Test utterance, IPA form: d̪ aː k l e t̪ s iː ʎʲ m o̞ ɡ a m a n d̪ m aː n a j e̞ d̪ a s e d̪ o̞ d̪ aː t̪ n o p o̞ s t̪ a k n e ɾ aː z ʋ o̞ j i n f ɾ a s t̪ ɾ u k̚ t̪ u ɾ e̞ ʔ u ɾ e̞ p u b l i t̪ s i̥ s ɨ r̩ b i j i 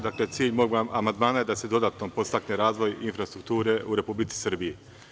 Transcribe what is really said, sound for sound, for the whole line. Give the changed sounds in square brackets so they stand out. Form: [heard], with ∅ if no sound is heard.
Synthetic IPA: d̪ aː k l e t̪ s iː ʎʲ m o̞ ɡ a m a n d̪ m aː n a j e̞ d̪ a s e d̪ o̞ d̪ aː t̪ n o p o̞ s t̪ a k n e ɾ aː z ʋ o̞ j i n f ɾ a s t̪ ɾ u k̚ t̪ [uː] ɾ e̞ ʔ u ɾ e̞ p u b l i t̪ s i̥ s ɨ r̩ b i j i